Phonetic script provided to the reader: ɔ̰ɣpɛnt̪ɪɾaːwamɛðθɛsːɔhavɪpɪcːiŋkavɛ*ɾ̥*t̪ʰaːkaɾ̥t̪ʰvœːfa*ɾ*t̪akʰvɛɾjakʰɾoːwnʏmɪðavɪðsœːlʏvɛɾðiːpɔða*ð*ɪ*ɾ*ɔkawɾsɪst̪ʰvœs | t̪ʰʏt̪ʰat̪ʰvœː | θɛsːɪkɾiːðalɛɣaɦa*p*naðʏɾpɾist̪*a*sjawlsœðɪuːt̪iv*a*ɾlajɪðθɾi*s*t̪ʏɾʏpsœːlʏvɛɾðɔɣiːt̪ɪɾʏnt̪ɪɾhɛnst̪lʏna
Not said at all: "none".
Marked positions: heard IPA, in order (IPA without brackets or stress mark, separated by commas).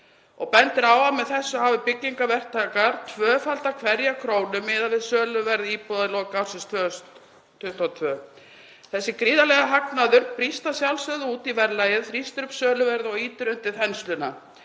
r̥, l, ð, l, k, a, ɛ, s